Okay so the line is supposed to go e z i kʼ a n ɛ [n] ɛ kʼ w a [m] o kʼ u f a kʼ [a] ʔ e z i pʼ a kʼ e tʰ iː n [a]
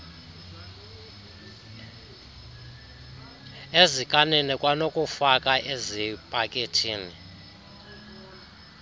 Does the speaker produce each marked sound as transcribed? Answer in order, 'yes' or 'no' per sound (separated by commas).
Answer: yes, no, yes, no